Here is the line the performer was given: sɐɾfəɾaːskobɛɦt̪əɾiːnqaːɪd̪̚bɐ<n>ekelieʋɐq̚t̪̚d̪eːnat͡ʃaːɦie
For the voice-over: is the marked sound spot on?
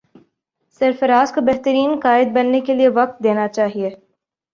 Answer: no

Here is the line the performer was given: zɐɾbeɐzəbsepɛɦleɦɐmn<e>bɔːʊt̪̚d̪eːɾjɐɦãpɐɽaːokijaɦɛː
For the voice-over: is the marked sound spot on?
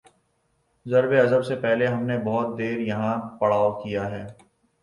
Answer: yes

